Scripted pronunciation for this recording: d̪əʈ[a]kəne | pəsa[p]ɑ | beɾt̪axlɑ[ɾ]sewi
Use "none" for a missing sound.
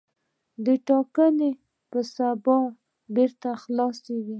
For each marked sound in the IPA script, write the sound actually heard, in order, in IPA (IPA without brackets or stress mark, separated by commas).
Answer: ɑ, b, none